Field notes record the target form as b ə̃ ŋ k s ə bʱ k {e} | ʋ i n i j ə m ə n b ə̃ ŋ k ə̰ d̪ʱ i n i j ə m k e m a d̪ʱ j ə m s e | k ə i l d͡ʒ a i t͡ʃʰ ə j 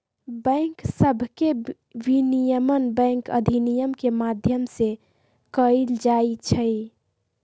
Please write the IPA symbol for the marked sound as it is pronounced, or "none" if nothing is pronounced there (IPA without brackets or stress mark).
e